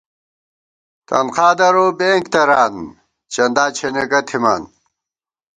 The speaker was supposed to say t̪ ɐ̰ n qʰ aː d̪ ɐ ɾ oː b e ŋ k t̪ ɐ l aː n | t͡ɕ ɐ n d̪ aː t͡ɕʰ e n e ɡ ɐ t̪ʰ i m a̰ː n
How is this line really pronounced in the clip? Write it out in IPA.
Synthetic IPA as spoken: t̪ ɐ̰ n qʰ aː d̪ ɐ ɾ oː b e ŋ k t̪ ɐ ɾ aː n | t͡ɕ ɐ n d̪ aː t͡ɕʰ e n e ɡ ɐ t̪ʰ i m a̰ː n